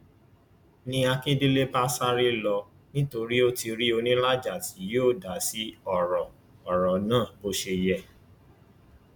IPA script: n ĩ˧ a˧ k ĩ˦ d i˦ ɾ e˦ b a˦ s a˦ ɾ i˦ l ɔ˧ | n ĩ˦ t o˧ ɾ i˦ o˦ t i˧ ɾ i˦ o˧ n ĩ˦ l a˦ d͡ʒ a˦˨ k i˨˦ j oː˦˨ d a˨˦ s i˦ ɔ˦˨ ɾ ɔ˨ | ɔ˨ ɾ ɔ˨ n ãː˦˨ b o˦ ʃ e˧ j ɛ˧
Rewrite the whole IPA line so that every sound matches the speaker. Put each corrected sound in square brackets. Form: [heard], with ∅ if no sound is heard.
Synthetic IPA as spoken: n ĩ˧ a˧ k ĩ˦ d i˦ [l] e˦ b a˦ s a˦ ɾ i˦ l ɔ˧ | n ĩ˦ t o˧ ɾ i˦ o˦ t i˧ ɾ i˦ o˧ n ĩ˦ l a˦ d͡ʒ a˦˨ [t] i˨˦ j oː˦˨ d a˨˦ s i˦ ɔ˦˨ ɾ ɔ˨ | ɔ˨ ɾ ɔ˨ n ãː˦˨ b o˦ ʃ e˧ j ɛ˧